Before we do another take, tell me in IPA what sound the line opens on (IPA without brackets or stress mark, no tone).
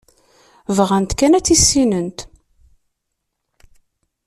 v